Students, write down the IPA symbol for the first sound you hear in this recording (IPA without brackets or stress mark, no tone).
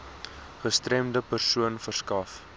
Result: χ